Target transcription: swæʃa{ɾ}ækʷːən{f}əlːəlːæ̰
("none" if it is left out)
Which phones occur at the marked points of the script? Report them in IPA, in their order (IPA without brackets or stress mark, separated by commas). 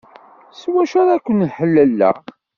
ɾ, ħ